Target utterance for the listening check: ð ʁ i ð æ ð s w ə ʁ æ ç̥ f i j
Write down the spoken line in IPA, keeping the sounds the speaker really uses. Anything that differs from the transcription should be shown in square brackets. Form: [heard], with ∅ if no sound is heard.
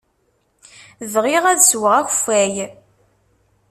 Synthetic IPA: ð ʁ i [ʁ] æ ð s w ə ʁ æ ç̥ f [æ] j